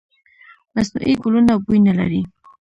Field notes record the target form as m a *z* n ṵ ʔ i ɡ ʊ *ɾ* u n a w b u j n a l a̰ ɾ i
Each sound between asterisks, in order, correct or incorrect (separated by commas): incorrect, incorrect